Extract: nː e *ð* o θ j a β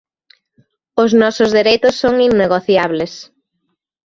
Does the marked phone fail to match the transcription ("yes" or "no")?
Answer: yes